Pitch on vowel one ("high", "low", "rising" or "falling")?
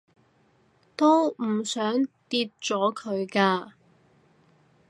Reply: high